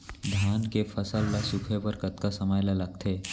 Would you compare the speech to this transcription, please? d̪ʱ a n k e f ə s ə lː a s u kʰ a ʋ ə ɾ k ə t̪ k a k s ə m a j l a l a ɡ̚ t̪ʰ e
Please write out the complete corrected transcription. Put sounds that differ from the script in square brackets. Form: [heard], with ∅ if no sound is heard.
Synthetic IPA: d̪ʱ a n k e f ə s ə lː a s u kʰ [e] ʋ ə ɾ k ə t̪ k a [∅] s ə m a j l a l a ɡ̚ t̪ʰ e